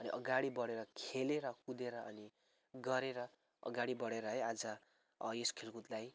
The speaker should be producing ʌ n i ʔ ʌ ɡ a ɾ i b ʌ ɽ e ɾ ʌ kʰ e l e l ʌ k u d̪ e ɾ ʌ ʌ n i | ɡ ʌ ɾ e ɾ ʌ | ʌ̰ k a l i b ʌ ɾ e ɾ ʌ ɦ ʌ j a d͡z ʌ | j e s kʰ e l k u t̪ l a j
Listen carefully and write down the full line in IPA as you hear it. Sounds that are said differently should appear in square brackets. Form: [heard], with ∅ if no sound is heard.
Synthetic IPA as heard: ʌ n i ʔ ʌ ɡ a [ɽ] i b ʌ ɽ e ɾ ʌ kʰ e l e [ɾ] ʌ k u d̪ e ɾ ʌ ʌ n i | ɡ ʌ ɾ e ɾ ʌ | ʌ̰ [ɡ] a [ɽ] i b ʌ [ɽ] e ɾ ʌ ɦ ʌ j a d͡z ʌ | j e s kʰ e l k u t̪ l a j